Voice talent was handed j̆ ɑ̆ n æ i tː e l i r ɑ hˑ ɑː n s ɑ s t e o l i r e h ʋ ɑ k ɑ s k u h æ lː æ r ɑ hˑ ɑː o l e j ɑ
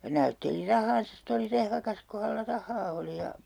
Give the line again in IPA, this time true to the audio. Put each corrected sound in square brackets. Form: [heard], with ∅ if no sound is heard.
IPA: j̆ ɑ̆ n æ [y] tː e l i r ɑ hˑ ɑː n s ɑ s t e o l i r e h ʋ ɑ k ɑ s k u h æ lː æ r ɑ hˑ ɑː o l [i] j ɑ